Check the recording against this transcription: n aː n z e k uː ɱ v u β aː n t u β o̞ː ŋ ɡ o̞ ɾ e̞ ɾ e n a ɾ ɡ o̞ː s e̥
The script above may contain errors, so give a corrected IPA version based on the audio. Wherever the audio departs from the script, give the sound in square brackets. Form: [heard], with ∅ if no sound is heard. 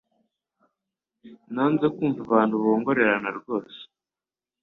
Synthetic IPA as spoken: n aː n z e k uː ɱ v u β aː n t u β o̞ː ŋ ɡ o̞ ɾ e̞ ɾ [a] n a ɾ ɡ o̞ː s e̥